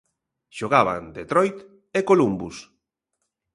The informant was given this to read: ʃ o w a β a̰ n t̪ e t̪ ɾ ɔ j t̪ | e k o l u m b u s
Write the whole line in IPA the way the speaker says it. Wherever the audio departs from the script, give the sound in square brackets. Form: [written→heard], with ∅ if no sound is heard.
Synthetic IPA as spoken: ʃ o [w→ɣ] a β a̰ n [t̪→d̪] e t̪ ɾ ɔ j t̪ | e k o l u m b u s